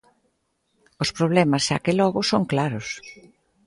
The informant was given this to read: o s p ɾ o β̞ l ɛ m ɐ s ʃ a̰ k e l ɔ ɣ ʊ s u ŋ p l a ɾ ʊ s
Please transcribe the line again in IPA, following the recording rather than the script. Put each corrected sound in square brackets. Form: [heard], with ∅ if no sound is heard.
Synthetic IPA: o s p ɾ o β̞ l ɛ m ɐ s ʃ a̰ k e l ɔ ɣ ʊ s [o] ŋ [k] l a ɾ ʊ s